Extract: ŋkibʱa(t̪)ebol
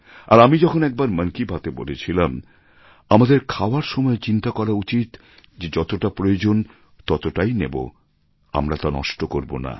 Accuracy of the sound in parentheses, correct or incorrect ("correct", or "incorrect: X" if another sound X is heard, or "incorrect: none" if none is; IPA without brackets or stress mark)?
correct